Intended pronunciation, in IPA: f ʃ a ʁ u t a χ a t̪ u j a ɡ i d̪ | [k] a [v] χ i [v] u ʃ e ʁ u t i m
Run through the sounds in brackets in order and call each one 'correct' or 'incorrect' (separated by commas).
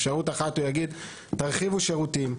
incorrect, incorrect, correct